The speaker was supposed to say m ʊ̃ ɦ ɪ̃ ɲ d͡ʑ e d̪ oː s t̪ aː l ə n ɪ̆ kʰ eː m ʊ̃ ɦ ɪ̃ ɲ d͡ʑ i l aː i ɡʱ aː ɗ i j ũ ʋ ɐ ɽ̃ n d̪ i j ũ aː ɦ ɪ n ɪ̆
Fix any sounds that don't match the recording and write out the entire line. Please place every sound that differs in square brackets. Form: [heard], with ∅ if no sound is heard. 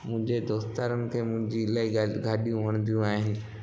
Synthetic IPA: m ʊ̃ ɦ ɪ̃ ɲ d͡ʑ e d̪ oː s t̪ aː [ɾ] ə n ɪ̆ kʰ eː m ʊ̃ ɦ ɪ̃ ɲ d͡ʑ i l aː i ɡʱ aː ɗ i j ũ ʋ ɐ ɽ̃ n d̪ i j ũ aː ɦ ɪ n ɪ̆